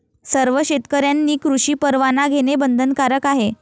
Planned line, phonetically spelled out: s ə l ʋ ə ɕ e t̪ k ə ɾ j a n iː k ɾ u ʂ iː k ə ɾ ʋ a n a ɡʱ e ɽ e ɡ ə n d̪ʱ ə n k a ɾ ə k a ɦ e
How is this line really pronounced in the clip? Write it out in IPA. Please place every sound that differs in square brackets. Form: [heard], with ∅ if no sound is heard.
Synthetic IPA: s ə [ɾ] ʋ ə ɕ e t̪ k ə ɾ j a [nː] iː k ɾ u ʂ iː [p] ə ɾ ʋ a n a ɡʱ e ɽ e [b] ə n d̪ʱ ə n k a ɾ ə k a ɦ e